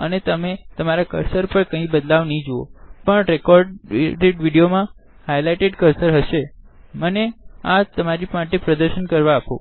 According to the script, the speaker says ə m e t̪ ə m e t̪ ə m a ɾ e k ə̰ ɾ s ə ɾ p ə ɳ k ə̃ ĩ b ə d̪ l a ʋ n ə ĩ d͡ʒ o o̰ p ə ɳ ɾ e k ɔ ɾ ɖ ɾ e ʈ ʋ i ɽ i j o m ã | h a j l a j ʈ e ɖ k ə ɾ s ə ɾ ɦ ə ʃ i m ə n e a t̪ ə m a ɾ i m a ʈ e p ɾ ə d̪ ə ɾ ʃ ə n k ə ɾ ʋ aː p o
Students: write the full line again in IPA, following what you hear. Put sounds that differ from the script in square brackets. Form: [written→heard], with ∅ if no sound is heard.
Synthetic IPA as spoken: ə [m→n] e t̪ ə m e t̪ ə m a ɾ [e→a] k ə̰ ɾ s ə ɾ p ə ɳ k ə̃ ĩ b ə d̪ l a ʋ n ə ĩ d͡ʒ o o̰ p ə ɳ ɾ e k ɔ ɾ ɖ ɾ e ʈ ʋ i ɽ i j o m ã | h a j l a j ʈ e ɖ k ə ɾ s ə ɾ ɦ ə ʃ [i→e] m ə n e a t̪ ə m a ɾ i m a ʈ e p ɾ ə d̪ ə ɾ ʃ ə n k ə ɾ ʋ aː p o